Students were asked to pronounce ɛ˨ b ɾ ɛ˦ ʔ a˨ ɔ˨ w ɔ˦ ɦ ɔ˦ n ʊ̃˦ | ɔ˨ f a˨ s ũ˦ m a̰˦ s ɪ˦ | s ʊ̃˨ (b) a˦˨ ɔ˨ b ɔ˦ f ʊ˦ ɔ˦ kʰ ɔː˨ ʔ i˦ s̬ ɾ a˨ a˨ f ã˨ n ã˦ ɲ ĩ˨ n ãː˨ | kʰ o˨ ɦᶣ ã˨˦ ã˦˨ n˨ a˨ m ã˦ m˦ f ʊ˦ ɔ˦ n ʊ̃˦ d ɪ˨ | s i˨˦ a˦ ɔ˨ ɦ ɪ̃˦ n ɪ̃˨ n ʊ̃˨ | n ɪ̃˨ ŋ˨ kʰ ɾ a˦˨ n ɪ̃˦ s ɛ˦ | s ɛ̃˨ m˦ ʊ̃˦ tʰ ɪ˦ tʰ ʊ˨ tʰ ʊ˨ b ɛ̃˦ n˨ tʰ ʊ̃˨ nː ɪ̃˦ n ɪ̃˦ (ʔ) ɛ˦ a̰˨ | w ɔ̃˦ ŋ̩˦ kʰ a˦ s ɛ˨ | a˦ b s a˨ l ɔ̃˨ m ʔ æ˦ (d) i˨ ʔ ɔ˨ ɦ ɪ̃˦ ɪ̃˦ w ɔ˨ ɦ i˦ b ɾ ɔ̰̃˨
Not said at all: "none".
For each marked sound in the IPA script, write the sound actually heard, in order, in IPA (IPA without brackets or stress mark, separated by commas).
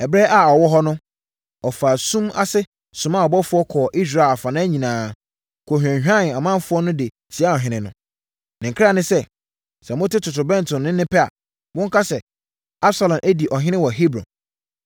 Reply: m, p, d